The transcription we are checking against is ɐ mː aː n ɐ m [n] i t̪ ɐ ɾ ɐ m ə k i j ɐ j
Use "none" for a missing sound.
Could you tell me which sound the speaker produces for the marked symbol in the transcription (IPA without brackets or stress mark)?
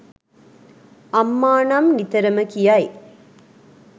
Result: n